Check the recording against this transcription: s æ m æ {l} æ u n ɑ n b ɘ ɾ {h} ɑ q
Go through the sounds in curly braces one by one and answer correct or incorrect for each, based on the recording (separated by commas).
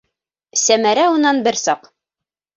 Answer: incorrect, incorrect